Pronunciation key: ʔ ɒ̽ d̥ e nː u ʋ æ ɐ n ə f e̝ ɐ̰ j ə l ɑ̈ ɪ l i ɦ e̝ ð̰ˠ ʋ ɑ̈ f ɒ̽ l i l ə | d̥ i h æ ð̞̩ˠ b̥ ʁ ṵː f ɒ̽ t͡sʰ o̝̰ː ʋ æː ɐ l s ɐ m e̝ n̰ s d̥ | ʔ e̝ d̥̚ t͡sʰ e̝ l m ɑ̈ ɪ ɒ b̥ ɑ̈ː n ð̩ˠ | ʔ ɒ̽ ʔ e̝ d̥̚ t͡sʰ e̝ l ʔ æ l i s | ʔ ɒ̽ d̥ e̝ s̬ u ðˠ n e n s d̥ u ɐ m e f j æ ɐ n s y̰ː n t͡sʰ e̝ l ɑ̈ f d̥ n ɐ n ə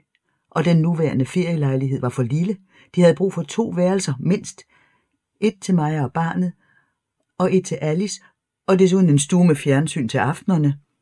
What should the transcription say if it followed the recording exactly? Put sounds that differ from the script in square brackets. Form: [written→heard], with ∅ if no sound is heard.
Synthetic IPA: ʔ ɒ̽ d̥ e nː u ʋ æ ɐ n ə f e̝ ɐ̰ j ə l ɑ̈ ɪ l i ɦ e̝ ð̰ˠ ʋ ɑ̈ f ɒ̽ l i l ə | d̥ i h æ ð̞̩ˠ b̥ ʁ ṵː f ɒ̽ t͡sʰ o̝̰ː ʋ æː ɐ l s ɐ m e̝ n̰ s d̥ | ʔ e̝ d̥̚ t͡sʰ e̝ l m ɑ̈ ɪ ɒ b̥ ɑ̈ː n ð̩ˠ | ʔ ɒ̽ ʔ e̝ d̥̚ t͡sʰ e̝ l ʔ æ l i s | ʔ ɒ̽ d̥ e̝ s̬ u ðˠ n e n s d̥ u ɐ m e f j æ ɐ n s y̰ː n t͡sʰ e̝ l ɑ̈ f d̥ n ɐ n ə